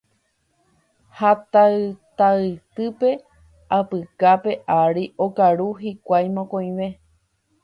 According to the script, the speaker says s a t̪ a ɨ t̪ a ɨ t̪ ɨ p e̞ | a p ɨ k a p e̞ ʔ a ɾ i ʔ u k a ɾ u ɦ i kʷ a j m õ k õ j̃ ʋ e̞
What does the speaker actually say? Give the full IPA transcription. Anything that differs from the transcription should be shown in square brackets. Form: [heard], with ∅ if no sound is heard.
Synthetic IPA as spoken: [h] a t̪ a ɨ t̪ a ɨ t̪ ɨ p e̞ | a p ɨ k a p e̞ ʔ a ɾ i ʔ [o] k a ɾ u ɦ i kʷ a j m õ k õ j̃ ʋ e̞